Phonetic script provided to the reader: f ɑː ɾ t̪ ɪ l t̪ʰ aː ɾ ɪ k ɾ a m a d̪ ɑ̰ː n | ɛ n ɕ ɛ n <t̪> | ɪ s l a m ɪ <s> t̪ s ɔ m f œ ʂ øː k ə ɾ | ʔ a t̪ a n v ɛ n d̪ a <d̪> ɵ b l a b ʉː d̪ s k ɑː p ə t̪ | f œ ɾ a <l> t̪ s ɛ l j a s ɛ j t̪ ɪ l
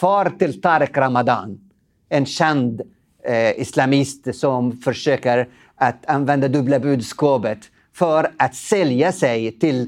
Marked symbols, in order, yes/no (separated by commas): no, yes, yes, no